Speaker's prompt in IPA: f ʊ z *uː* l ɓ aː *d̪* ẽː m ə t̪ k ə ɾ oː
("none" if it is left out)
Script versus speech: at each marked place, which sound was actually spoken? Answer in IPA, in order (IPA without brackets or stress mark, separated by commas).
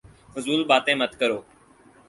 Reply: uː, t̪